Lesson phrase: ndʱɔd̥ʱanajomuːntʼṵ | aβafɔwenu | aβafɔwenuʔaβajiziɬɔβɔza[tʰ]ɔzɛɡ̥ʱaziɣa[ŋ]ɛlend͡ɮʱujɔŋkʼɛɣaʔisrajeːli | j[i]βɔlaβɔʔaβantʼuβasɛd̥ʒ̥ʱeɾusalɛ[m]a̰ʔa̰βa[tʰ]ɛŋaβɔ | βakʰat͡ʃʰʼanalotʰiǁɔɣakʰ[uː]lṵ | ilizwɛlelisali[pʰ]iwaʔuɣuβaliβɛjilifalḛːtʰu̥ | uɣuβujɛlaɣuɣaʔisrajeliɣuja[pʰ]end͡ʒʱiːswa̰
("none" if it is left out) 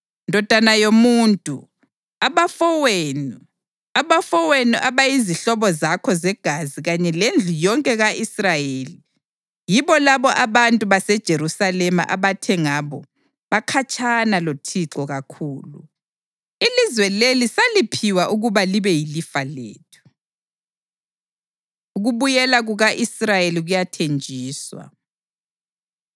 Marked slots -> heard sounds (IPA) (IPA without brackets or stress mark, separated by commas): kʰ, ɲ, i, m, tʰ, uː, pʰ, tʰ